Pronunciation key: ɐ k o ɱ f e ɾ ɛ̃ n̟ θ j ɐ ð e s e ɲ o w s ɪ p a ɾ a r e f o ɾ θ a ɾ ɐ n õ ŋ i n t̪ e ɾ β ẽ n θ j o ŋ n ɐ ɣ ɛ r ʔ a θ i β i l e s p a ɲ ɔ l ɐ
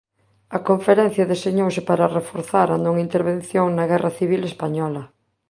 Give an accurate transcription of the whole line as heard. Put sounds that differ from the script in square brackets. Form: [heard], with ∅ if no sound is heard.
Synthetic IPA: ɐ k o ɱ f e ɾ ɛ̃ n̟ θ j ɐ ð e s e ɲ o w s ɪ p a ɾ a r e f o ɾ θ a ɾ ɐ n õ ŋ i n t̪ e ɾ β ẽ n θ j o ŋ n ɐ ɣ ɛ r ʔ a θ i β i l e s p a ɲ ɔ l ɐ